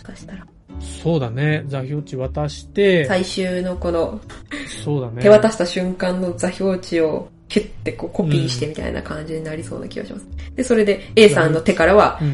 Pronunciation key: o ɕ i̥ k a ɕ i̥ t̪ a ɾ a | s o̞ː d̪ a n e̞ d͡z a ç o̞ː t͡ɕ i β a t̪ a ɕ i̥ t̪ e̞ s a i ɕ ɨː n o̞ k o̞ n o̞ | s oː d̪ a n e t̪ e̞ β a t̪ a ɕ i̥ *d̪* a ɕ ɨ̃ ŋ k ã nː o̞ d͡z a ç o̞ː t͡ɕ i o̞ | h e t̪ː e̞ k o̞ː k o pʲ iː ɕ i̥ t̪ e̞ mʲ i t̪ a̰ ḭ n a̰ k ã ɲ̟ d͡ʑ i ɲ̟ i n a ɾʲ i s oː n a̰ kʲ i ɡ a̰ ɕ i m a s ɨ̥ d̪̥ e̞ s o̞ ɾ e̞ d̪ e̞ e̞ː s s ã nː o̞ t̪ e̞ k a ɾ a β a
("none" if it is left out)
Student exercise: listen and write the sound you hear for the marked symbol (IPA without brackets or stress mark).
t̪